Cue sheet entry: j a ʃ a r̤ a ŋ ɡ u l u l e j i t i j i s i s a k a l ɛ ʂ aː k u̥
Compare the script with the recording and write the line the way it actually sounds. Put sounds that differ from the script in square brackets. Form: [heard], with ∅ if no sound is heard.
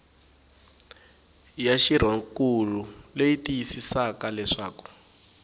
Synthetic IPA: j a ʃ [i] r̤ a ŋ [k] u l u l e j i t i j i s i s a k a l ɛ ʂ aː k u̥